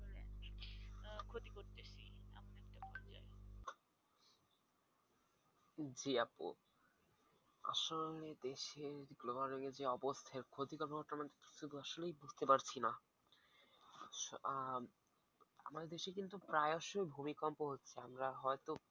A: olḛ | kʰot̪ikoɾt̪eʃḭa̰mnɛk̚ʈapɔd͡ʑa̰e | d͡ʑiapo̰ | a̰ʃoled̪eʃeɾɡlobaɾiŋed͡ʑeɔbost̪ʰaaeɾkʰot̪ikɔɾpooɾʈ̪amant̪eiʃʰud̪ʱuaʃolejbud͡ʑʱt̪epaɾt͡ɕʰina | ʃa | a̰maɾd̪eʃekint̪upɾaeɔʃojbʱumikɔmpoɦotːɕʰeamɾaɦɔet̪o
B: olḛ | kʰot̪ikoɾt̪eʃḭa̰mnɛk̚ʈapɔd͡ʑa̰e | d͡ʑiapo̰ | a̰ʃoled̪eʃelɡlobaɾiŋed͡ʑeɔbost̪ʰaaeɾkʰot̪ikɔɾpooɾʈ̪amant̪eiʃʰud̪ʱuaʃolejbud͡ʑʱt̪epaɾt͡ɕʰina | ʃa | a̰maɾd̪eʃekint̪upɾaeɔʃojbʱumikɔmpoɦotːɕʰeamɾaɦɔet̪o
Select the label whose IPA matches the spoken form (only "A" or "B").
A